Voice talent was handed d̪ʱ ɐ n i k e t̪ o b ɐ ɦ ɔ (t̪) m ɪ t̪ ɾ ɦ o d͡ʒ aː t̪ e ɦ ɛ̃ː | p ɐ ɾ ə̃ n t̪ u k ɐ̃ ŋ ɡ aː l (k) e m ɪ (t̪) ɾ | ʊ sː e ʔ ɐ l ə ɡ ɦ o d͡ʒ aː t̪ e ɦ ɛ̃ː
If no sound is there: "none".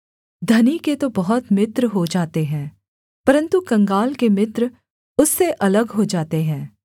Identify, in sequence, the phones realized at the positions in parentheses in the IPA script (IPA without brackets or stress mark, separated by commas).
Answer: t̪, k, t̪